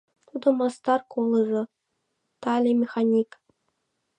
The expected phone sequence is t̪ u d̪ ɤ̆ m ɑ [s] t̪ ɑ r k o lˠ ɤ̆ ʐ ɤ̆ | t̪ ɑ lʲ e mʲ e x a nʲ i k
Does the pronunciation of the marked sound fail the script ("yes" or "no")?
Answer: no